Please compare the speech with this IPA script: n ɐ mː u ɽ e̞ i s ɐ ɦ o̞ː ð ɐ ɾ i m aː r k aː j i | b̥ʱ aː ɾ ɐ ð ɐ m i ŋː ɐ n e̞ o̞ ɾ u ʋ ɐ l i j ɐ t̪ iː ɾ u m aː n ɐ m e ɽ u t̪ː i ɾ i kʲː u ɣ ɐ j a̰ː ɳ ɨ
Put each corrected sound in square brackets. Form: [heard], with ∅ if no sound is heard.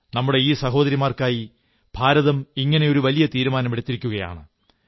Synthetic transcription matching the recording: n ɐ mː u ɽ e̞ [iː] s ɐ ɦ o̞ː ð ɐ ɾ i m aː r k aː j i | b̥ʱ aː ɾ ɐ ð ɐ m i ŋː ɐ n e̞ o̞ ɾ u ʋ ɐ l i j ɐ t̪ iː ɾ u m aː n ɐ m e ɽ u t̪ː i ɾ i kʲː u ɣ ɐ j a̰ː ɳ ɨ